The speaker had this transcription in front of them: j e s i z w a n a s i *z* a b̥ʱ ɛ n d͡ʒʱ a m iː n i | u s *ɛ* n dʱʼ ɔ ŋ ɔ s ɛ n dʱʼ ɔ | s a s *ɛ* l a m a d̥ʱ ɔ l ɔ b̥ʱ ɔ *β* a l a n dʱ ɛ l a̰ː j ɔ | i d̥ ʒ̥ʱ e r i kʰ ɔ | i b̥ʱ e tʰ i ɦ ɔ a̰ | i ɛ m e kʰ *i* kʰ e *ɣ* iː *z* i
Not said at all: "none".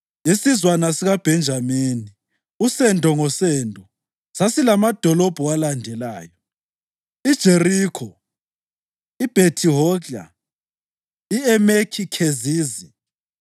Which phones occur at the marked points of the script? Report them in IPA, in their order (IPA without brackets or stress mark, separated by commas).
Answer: ɣ, ɛ, i, w, i, z, z